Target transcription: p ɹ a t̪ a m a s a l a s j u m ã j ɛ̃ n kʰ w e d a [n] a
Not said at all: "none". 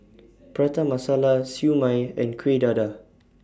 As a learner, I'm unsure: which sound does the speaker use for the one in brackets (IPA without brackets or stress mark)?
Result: d